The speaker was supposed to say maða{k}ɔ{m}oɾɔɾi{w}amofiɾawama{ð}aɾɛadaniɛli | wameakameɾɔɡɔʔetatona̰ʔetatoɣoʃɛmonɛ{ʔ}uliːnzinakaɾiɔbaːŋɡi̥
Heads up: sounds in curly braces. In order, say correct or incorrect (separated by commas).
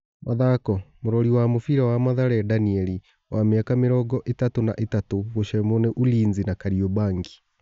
correct, correct, correct, correct, correct